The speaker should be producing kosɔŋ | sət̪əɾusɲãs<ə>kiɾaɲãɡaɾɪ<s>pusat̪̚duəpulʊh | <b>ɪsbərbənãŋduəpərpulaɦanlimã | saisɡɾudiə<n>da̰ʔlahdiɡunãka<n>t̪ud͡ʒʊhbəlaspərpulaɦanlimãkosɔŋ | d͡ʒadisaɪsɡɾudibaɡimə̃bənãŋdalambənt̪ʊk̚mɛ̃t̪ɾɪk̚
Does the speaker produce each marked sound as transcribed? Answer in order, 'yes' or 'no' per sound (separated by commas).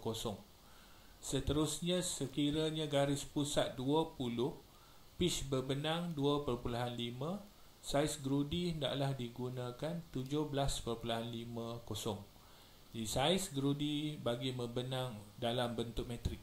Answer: yes, yes, no, yes, yes